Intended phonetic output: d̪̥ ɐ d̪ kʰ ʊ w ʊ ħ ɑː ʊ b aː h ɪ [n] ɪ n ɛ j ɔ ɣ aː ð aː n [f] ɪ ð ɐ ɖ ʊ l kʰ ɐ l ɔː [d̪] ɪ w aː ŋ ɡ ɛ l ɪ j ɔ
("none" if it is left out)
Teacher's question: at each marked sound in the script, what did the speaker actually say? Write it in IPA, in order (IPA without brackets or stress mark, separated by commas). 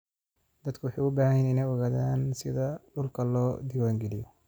n, s, d̪